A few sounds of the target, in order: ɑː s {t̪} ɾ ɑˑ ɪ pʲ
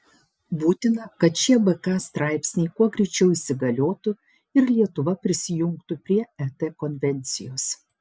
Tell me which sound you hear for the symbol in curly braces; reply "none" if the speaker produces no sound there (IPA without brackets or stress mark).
t̪